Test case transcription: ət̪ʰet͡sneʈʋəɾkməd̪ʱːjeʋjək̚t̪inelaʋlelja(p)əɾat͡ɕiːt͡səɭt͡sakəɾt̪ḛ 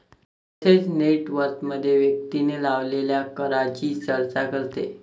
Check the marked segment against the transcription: incorrect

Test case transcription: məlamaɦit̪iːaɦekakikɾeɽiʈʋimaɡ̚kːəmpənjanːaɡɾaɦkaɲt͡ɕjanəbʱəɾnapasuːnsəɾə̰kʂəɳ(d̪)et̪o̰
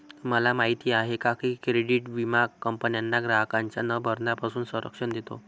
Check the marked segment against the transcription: correct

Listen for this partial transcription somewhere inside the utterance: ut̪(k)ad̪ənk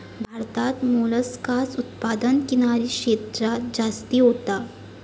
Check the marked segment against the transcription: incorrect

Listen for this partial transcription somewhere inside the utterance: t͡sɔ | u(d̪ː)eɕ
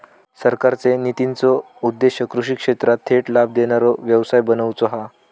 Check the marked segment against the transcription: correct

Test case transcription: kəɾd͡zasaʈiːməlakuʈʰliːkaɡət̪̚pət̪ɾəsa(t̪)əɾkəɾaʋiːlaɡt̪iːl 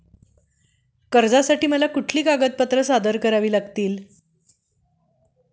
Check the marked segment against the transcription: incorrect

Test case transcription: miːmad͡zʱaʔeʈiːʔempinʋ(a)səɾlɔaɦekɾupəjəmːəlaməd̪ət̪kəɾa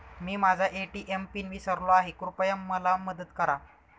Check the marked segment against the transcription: incorrect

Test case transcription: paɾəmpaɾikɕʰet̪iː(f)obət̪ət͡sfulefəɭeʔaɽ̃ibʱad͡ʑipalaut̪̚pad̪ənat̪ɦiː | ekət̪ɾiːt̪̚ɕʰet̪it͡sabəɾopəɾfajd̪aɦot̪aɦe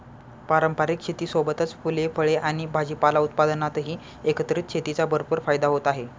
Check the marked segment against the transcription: incorrect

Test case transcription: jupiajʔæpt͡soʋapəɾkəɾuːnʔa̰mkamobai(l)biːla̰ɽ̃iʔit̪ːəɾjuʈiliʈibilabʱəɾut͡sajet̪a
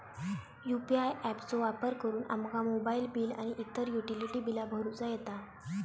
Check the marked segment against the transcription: correct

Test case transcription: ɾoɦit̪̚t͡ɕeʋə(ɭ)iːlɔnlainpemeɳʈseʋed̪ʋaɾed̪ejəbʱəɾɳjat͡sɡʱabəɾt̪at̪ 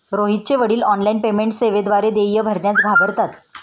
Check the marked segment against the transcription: incorrect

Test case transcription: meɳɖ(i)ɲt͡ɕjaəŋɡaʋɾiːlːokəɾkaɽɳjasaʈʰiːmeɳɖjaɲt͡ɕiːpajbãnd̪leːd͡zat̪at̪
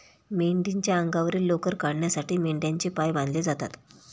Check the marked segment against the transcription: correct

